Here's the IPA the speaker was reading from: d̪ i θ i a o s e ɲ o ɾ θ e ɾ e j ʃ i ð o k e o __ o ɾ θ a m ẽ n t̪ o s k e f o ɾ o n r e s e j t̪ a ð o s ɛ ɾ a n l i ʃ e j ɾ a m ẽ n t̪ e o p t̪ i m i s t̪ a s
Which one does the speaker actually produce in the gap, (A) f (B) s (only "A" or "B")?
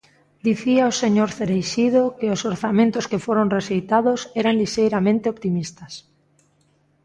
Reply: B